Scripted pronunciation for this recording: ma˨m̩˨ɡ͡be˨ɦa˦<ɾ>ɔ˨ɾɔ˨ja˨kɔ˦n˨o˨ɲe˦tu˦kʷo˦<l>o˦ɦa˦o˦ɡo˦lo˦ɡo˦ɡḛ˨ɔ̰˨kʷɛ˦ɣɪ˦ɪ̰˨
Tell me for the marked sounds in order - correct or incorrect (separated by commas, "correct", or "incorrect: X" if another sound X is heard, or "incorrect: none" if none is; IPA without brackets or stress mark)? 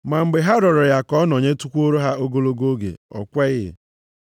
correct, incorrect: ɾ